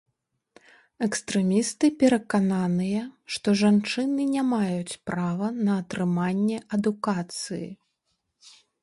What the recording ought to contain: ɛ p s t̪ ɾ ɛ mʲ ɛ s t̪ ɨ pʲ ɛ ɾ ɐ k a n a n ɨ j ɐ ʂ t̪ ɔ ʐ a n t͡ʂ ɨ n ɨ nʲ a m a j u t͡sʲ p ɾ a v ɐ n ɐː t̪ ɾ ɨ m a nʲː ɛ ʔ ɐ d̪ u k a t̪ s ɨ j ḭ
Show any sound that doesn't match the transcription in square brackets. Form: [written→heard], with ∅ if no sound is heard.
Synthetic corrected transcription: ɛ [p→k] s t̪ ɾ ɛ mʲ [ɛ→i] s t̪ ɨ pʲ ɛ ɾ ɐ k a n a n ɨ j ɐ ʂ t̪ ɔ ʐ a n t͡ʂ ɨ n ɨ nʲ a m a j u t͡sʲ p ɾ a v ɐ n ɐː t̪ ɾ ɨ m a nʲː ɛ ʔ ɐ d̪ u k a t̪ s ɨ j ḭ

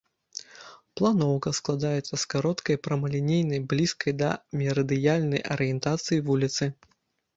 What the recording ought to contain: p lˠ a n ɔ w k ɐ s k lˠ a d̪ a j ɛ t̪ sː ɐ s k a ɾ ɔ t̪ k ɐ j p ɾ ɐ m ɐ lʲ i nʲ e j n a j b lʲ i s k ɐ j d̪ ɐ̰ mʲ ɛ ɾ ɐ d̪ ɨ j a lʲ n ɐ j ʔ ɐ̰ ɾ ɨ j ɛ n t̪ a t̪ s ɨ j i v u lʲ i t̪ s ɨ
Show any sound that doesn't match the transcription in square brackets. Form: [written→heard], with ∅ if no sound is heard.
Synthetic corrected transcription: p lˠ a n ɔ w k ɐ s k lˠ a d̪ a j ɛ t̪ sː ɐ s k a ɾ ɔ t̪ k ɐ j p ɾ ɐ m ɐ lʲ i nʲ e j n [a→ɐ] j b lʲ i s k ɐ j d̪ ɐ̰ mʲ ɛ ɾ ɐ d̪ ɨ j a lʲ n ɐ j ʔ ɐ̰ ɾ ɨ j ɛ n t̪ a t̪ s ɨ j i v u lʲ i t̪ s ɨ

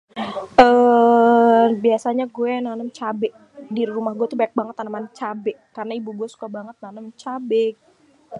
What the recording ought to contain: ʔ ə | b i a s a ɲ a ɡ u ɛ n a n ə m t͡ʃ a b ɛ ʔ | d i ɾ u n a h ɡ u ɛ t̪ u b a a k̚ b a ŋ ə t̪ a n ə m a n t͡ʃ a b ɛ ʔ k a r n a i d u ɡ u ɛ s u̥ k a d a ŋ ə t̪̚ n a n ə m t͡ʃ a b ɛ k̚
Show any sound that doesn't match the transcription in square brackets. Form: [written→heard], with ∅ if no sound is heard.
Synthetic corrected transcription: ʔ ə | b i a s a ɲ a ɡ u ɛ n a n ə m t͡ʃ a b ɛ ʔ | d i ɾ u [n→m] a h ɡ u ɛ t̪ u b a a k̚ b a ŋ ə t̪ a n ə m a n t͡ʃ a b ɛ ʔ k a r n a i [d→b] u ɡ u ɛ s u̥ k a [d→b] a ŋ ə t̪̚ n a n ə m t͡ʃ a b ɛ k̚

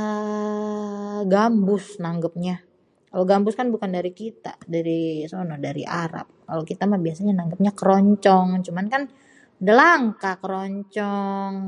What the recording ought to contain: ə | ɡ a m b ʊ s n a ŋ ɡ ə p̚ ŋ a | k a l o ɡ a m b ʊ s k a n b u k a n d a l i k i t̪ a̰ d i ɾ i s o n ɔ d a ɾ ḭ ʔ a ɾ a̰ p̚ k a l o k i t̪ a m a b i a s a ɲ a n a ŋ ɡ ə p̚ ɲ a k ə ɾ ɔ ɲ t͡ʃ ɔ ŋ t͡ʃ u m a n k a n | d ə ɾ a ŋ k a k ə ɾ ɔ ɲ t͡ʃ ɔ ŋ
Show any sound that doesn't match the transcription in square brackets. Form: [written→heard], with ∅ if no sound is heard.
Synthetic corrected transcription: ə | ɡ a m b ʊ s n a ŋ ɡ ə p̚ [ŋ→ɲ] a | k a l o ɡ a m b ʊ s k a n b u k a n d a [l→ɾ] i k i t̪ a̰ d [i→a] ɾ i s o n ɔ d a ɾ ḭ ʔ a ɾ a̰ p̚ k a l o k i t̪ a m a b i a s a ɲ a n a ŋ ɡ ə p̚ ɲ a k ə ɾ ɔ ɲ t͡ʃ ɔ ŋ t͡ʃ u m a n k a n | d ə [ɾ→l] a ŋ k a k ə ɾ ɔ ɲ t͡ʃ ɔ ŋ

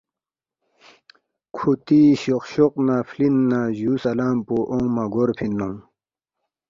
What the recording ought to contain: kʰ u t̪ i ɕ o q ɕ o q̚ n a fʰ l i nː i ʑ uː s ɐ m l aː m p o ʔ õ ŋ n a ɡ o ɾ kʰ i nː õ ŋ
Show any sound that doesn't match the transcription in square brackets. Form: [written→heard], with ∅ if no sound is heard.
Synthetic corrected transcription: kʰ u t̪ i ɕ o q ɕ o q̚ n a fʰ l i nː [i→a] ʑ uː s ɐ [m→∅] l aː m p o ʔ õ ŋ [n→m] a ɡ o ɾ [kʰ→pʰ] i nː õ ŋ

